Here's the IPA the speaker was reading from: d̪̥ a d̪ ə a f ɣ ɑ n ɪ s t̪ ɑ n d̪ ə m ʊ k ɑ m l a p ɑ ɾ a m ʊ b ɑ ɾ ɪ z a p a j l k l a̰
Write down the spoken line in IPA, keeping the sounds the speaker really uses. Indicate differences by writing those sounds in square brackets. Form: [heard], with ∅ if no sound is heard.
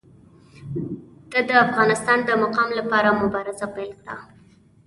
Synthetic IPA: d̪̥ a d̪ ə a f ɣ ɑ n ɪ s t̪ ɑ n d̪ ə m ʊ [q] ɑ m l a p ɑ ɾ a m ʊ b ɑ ɾ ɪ z a p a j l k [ɽ] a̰